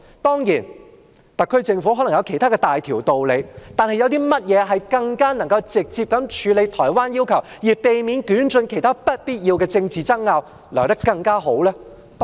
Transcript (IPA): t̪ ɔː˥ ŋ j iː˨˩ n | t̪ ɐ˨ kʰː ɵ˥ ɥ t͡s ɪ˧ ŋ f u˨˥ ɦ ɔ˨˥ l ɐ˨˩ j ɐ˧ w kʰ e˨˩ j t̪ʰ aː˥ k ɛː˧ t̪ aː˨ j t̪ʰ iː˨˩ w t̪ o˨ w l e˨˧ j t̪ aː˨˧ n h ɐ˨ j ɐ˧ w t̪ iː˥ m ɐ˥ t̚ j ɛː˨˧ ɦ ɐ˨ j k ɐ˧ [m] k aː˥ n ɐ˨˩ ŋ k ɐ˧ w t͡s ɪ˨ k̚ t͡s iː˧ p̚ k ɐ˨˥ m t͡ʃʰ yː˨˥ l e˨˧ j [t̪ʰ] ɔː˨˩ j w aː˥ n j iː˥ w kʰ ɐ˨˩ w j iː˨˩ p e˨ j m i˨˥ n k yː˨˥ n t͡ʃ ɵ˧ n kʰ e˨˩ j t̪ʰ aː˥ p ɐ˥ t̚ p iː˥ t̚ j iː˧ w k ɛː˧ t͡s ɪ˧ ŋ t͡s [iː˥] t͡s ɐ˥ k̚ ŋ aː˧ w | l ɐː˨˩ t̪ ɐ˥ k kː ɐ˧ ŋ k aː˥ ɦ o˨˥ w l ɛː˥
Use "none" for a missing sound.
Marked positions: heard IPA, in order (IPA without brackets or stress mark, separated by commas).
ŋ, t̪ʰ, iː˨